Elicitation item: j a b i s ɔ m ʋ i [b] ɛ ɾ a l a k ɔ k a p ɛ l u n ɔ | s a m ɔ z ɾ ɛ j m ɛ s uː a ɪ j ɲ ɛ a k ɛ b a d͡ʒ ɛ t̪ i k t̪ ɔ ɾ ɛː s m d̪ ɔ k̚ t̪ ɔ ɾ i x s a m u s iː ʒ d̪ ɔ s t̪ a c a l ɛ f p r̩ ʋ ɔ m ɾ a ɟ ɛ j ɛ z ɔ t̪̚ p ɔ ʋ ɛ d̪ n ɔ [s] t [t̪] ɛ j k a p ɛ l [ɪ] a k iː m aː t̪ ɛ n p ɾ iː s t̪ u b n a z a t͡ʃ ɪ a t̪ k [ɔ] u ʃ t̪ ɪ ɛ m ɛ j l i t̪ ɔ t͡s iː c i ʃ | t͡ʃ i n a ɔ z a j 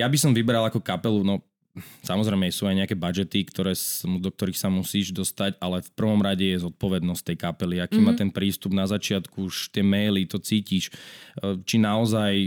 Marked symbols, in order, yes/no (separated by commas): yes, yes, yes, no, no